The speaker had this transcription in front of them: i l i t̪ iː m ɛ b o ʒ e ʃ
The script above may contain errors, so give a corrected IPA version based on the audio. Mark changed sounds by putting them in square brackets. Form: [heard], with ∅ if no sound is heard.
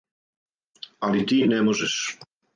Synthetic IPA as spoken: [a] l i t̪ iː [n] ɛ [m] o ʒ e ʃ